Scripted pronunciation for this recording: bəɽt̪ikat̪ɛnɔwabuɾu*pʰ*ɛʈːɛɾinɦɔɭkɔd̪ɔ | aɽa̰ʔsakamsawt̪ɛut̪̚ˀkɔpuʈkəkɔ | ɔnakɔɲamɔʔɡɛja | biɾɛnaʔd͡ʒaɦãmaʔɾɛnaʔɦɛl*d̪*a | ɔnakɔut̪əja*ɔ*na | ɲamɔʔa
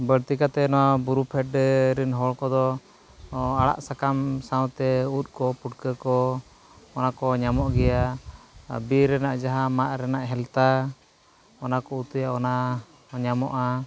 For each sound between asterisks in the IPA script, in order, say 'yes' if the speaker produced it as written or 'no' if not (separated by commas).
yes, no, yes